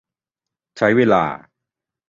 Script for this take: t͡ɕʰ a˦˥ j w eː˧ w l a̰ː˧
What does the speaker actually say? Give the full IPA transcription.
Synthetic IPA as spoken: t͡ɕʰ a˦˥ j w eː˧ l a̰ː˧